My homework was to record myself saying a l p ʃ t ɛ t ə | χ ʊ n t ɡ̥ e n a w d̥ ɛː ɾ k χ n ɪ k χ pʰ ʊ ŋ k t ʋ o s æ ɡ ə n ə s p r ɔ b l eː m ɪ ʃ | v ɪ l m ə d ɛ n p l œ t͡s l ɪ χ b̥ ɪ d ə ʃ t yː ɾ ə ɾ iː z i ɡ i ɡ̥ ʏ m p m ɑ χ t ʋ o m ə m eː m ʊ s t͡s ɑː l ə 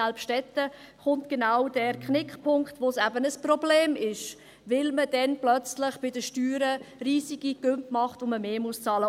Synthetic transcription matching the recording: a l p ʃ t ɛ t ə | χ ʊ n t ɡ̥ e n a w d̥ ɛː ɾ k χ n ɪ k χ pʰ ʊ ŋ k t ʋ o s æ b ə n ə s p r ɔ b l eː m ɪ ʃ | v ɪ l m ə d ɛ n p l œ t͡s l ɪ χ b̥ ɪ d ə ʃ t yː ɾ ə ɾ iː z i ɡ i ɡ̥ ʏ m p m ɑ χ t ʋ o m ə m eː m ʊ s t͡s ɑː l ə